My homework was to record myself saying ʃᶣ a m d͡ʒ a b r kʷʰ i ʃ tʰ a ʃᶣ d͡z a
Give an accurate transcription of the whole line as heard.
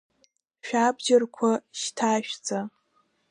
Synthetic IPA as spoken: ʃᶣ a b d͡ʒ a r kʷʰ a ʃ tʰ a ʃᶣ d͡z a